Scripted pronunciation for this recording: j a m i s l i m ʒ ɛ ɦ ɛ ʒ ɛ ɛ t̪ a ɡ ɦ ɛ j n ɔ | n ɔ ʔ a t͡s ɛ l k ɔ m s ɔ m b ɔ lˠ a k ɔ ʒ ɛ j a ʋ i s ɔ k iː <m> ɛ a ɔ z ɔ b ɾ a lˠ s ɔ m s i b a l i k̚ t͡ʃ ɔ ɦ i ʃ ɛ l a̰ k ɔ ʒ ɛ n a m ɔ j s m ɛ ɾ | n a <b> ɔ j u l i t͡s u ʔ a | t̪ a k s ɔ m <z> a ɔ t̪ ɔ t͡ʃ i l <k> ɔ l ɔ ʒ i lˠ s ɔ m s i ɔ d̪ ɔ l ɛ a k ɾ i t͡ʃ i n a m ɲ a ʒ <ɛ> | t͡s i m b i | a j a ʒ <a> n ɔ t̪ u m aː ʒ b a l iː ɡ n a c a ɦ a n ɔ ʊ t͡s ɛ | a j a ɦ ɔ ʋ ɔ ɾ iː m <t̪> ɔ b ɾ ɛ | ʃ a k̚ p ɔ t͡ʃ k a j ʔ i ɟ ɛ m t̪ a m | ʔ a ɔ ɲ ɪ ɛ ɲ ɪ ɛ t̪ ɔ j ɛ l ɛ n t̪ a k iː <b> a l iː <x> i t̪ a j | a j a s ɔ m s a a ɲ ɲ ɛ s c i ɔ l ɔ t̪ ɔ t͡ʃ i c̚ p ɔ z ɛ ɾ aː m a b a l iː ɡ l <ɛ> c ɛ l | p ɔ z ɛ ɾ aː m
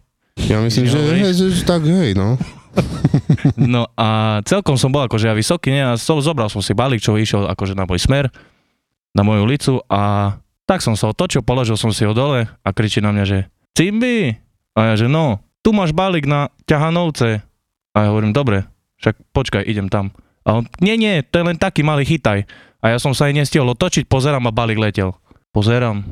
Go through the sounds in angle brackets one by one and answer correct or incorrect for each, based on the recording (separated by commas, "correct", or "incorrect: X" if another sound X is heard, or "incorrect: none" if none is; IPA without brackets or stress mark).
incorrect: ɲ, incorrect: m, incorrect: s, incorrect: p, correct, incorrect: ɛ, incorrect: d̪, incorrect: m, correct, correct